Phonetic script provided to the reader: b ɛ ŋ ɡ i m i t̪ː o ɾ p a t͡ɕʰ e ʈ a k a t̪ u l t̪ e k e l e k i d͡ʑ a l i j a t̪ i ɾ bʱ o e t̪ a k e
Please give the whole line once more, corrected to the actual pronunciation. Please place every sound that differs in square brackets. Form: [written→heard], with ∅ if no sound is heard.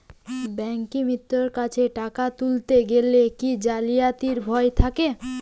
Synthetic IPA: b ɛ ŋ [ɡ→k] i m i t̪ː o ɾ [p→k] a t͡ɕʰ e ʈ a k a t̪ u l t̪ e [k→ɡ] e l e k i d͡ʑ a l i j a t̪ i ɾ bʱ [o→ɔ] e [t̪→t̪ʰ] a k e